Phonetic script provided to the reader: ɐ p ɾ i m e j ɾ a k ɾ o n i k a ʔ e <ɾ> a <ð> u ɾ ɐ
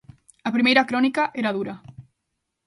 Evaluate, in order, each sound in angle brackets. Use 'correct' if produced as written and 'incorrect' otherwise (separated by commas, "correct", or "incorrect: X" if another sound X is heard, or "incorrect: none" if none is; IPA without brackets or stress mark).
correct, correct